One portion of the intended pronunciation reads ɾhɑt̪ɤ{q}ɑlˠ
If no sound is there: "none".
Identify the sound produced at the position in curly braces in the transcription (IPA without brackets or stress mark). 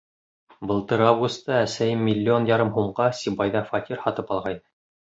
p